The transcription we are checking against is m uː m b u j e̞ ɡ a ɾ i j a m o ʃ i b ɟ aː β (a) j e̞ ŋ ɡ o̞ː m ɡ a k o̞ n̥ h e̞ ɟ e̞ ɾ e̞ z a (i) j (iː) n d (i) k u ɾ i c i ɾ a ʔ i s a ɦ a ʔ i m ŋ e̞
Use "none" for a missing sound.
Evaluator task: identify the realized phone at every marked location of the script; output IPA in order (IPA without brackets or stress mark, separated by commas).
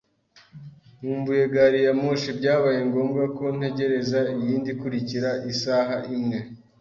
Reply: a, i, iː, i